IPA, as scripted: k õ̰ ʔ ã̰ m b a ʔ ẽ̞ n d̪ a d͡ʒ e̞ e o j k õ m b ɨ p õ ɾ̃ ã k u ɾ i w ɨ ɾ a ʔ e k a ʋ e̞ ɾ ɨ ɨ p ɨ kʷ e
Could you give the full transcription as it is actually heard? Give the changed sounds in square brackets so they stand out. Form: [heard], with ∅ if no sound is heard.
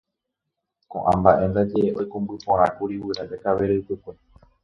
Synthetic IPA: k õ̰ ʔ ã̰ m b a ʔ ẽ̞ n d̪ a d͡ʒ e̞ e o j k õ m b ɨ p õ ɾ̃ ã k u ɾ i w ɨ ɾ a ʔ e k a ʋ e̞ ɾ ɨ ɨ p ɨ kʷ e